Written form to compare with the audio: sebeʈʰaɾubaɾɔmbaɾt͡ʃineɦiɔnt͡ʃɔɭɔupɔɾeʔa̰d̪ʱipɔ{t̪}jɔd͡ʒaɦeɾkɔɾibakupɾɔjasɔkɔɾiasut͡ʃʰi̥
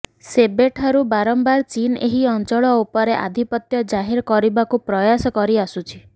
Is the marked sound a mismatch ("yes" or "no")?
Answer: no